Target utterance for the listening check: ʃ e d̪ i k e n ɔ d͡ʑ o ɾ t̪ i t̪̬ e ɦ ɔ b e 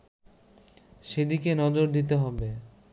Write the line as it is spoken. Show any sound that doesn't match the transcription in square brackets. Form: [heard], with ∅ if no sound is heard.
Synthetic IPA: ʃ e d̪ i k e n ɔ d͡ʑ o ɾ [d̪] i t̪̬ e ɦ ɔ b e